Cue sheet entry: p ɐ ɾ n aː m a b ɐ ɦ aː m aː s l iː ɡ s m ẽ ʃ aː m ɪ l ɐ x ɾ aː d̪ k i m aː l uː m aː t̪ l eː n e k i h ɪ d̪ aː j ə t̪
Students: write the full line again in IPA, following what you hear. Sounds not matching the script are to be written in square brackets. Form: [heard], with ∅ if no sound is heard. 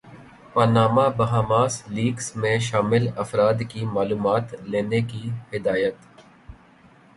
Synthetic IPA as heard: p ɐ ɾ n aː m a b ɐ ɦ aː m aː s l iː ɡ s m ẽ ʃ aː m ɪ l ɐ [f] ɾ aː d̪ k i m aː l uː m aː t̪ l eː n e k i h ɪ d̪ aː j ə t̪